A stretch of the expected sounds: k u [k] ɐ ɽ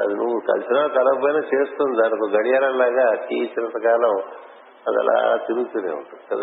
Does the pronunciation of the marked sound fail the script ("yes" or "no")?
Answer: yes